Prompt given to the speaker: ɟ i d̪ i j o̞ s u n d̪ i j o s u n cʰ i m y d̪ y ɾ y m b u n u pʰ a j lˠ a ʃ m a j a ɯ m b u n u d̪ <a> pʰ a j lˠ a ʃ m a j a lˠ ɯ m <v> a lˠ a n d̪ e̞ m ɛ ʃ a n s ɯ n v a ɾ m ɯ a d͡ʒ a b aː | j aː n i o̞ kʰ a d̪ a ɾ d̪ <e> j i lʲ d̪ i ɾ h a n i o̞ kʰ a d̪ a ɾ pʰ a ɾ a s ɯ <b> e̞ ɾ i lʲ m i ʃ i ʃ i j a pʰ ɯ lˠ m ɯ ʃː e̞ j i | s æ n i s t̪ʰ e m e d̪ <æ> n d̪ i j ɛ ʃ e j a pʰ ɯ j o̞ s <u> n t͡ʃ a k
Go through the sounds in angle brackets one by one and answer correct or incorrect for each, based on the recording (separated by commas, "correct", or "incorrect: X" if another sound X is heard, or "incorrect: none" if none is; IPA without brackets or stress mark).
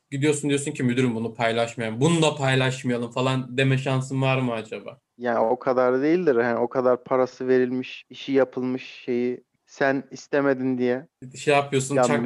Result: correct, incorrect: f, correct, incorrect: v, incorrect: i, correct